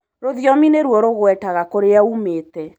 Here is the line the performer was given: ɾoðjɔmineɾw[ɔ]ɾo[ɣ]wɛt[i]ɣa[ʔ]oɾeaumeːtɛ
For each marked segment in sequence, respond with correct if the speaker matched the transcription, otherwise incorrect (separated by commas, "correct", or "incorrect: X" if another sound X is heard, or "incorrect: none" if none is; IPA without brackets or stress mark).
correct, correct, incorrect: a, incorrect: k